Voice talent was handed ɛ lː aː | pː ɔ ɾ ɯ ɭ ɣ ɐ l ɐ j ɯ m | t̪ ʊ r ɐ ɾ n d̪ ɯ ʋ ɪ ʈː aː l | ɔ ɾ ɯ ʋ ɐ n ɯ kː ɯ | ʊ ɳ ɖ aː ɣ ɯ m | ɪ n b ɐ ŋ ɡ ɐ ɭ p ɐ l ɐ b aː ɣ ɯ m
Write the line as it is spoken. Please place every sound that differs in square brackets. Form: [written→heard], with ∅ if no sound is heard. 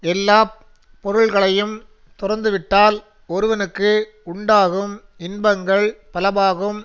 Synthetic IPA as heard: ɛ lː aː | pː ɔ ɾ ɯ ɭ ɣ ɐ [l→ɭ] ɐ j ɯ m | t̪ ʊ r ɐ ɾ n d̪ ɯ ʋ ɪ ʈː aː l | ɔ ɾ ɯ ʋ ɐ n ɯ kː ɯ | ʊ ɳ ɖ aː ɣ ɯ m | ɪ n b ɐ ŋ ɡ ɐ ɭ p ɐ l ɐ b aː ɣ ɯ m

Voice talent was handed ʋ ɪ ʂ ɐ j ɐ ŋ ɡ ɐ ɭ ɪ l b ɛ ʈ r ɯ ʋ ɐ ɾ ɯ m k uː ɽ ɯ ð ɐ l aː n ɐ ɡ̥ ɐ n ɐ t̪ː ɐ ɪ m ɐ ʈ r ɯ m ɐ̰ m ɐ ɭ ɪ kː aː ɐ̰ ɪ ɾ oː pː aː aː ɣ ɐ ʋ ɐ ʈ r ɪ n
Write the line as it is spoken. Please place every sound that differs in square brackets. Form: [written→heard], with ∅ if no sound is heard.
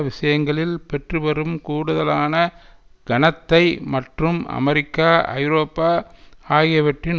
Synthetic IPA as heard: ʋ ɪ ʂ ɐ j ɐ ŋ ɡ ɐ ɭ ɪ l [b→p] ɛ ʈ r ɯ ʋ ɐ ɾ ɯ m k uː ɽ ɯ ð ɐ l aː n ɐ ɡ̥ ɐ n ɐ t̪ː ɐ ɪ m ɐ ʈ r ɯ m ɐ̰ m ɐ [ɭ→ɾ] ɪ kː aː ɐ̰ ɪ ɾ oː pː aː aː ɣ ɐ ʋ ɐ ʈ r ɪ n

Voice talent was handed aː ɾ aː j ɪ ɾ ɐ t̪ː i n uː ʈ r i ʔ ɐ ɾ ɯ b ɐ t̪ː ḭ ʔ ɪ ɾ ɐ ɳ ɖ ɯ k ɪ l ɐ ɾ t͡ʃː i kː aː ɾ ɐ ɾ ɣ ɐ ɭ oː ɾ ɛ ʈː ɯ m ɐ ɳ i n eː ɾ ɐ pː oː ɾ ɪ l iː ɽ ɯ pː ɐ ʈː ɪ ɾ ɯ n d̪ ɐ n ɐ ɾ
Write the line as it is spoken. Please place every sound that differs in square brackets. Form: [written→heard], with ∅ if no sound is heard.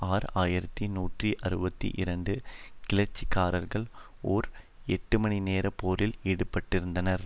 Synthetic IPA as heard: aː ɾ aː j ɪ ɾ ɐ t̪ː i n uː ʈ r i ʔ ɐ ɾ ɯ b ɐ t̪ː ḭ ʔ ɪ ɾ ɐ ɳ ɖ ɯ k ɪ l ɐ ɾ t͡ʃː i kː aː ɾ ɐ ɾ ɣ ɐ ɭ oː ɾ ɛ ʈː ɯ m ɐ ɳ i n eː ɾ ɐ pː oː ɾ ɪ l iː ɽ ɯ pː ɐ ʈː ɪ ɾ ɯ n d̪ ɐ n ɐ ɾ

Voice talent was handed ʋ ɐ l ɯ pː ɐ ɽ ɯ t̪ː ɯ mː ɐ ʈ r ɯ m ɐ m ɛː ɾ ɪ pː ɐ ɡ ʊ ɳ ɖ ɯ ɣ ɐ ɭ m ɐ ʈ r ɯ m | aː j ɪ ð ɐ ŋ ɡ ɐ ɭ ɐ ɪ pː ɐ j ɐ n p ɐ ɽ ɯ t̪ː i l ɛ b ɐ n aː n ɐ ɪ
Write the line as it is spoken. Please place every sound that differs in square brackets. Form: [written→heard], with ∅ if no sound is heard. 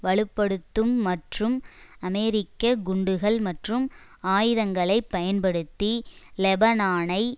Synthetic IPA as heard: ʋ ɐ [l→ɭ] ɯ pː ɐ ɽ ɯ t̪ː ɯ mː ɐ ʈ r ɯ m ɐ m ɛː ɾ ɪ [pː→kː] ɐ ɡ ʊ ɳ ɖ ɯ ɣ ɐ ɭ m ɐ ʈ r ɯ m | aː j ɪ ð ɐ ŋ ɡ ɐ ɭ ɐ ɪ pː ɐ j ɐ n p ɐ ɽ ɯ t̪ː i l ɛ b ɐ n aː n ɐ ɪ

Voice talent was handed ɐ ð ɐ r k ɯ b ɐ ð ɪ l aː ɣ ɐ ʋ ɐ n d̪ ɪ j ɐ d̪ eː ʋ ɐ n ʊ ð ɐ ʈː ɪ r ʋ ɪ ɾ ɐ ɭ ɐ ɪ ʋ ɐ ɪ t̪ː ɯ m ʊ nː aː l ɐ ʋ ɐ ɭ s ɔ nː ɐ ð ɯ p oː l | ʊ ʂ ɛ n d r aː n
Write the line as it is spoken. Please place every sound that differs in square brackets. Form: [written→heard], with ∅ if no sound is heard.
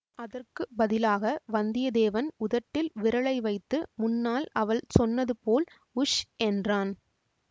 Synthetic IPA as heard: ɐ ð ɐ r k ɯ b ɐ ð ɪ l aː ɣ ɐ ʋ ɐ n d̪ ɪ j ɐ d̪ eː ʋ ɐ n ʊ ð ɐ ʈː ɪ [r→l] ʋ ɪ ɾ ɐ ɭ ɐ ɪ ʋ ɐ ɪ t̪ː ɯ m ʊ nː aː l ɐ ʋ ɐ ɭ s ɔ nː ɐ ð ɯ p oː l | ʊ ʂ ɛ n d r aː n

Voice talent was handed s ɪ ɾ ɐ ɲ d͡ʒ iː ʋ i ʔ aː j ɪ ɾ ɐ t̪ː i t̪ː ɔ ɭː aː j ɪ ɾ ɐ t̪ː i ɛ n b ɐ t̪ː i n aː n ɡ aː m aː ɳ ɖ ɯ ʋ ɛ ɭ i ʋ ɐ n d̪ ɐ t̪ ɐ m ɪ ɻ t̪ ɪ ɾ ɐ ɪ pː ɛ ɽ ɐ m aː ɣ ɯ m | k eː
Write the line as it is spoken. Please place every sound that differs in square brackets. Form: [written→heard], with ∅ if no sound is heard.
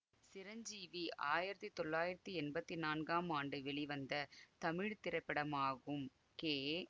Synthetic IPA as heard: s ɪ ɾ ɐ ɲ d͡ʒ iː ʋ i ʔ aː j ɪ ɾ ɐ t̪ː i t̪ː ɔ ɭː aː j ɪ ɾ ɐ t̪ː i ɛ n b ɐ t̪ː i n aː n ɡ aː m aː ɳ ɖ ɯ ʋ ɛ ɭ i ʋ ɐ n d̪ ɐ t̪ ɐ m ɪ ɻ t̪ ɪ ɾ ɐ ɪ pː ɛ ɽ ɐ m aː ɣ ɯ m | k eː

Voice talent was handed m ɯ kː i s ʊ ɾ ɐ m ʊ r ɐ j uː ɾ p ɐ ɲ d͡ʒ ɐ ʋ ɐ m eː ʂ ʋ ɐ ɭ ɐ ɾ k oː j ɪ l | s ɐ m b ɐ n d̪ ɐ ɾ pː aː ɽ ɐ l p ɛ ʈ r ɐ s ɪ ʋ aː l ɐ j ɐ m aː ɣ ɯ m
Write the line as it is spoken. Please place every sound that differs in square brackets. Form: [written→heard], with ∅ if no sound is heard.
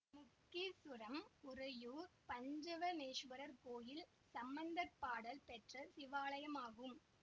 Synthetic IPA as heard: m [ɯ→ʊ] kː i s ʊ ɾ ɐ m ʊ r ɐ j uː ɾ p ɐ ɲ d͡ʒ ɐ ʋ ɐ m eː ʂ ʋ ɐ [ɭ→ɾ] ɐ ɾ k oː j ɪ l | s ɐ m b ɐ n d̪ ɐ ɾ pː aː ɽ ɐ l p ɛ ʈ r ɐ s ɪ ʋ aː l ɐ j ɐ m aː ɣ ɯ m

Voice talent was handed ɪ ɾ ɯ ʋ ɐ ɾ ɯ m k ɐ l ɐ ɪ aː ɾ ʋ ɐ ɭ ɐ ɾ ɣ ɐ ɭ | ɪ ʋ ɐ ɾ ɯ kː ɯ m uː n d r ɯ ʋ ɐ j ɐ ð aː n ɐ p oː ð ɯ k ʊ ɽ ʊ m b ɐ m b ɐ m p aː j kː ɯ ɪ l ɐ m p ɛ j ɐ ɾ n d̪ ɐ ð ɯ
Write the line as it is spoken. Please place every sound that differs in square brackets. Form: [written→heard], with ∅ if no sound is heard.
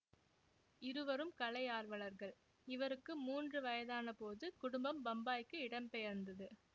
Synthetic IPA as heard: ɪ ɾ ɯ ʋ ɐ ɾ ɯ m k ɐ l ɐ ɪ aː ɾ ʋ ɐ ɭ ɐ ɾ ɣ ɐ ɭ | ɪ ʋ ɐ ɾ ɯ kː ɯ m uː n d r ɯ ʋ ɐ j ɐ ð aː n ɐ p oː ð ɯ k ʊ ɽ ʊ m b ɐ m b ɐ m [p→b] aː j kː ɯ ɪ [l→ɽ] ɐ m p ɛ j ɐ ɾ n d̪ ɐ ð ɯ

